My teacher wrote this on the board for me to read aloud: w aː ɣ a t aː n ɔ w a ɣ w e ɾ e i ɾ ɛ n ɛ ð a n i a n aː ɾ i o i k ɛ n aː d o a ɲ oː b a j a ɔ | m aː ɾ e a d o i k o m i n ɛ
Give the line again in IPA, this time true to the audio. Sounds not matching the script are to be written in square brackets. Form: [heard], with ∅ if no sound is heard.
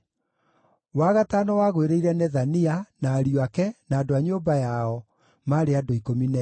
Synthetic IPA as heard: w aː ɣ a t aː n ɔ w a ɣ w e ɾ e i ɾ ɛ n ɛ ð a n i a n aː ɾ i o [a] k ɛ n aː d o a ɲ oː b a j a ɔ | m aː ɾ e a d o i k o m i n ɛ